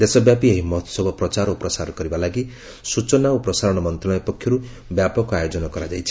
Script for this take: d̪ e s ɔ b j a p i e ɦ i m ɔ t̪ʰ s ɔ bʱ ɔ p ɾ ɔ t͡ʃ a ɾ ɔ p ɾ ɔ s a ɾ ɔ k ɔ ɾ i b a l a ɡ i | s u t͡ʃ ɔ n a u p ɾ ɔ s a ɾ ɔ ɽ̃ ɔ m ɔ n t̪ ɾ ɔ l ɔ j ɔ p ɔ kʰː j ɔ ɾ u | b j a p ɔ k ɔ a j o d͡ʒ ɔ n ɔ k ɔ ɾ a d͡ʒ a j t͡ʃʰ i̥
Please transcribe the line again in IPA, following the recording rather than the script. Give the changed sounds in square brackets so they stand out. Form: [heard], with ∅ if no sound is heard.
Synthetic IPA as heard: d̪ e s ɔ b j a p i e ɦ i m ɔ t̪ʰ s ɔ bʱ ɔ p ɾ ɔ t͡ʃ a ɾ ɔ p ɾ ɔ s a ɾ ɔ k ɔ ɾ i b a l a ɡ i | s u t͡ʃ ɔ n a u p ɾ ɔ s a ɾ ɔ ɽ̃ ɔ m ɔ n t̪ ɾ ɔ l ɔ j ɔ p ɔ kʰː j ɔ ɾ u | b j a p ɔ k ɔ a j o d͡ʒ ɔ n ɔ k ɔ ɾ a d͡ʒ a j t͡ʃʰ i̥